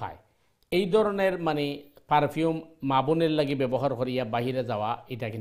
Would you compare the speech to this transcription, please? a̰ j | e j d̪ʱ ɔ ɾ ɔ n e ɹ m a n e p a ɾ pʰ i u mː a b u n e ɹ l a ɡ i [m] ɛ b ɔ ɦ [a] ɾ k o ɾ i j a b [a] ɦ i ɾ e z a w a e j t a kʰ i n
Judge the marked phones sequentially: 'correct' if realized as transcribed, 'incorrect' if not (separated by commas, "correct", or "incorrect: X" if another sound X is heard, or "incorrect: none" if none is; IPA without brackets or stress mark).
incorrect: b, correct, correct